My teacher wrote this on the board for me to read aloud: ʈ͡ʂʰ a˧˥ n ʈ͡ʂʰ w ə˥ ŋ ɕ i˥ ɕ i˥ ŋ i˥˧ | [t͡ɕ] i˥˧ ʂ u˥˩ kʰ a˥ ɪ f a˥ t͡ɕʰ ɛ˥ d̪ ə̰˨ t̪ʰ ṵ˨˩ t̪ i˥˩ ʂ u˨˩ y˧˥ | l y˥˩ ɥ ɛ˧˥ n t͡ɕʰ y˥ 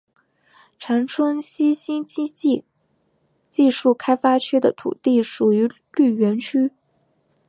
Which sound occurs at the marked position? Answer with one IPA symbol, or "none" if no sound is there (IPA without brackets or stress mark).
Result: t͡ɕ